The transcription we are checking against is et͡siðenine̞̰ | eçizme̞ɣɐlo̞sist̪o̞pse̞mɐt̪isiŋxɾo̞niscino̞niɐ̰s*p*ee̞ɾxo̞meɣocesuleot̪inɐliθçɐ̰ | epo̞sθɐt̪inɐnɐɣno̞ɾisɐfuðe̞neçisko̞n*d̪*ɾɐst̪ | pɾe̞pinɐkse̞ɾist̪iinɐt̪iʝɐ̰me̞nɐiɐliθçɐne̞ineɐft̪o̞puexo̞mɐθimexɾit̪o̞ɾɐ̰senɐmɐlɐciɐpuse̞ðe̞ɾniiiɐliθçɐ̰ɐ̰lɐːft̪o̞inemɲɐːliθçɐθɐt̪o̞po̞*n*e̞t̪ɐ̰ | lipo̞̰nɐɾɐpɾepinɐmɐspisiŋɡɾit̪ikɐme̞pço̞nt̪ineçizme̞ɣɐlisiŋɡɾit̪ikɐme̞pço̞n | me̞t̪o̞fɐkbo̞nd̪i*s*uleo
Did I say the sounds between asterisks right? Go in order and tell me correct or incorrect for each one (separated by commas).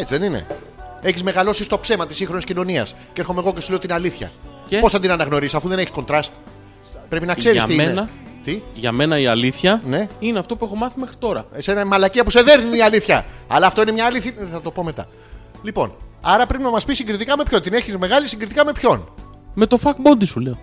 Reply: incorrect, incorrect, incorrect, correct